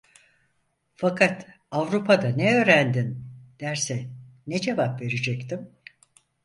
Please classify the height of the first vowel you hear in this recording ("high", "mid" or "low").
low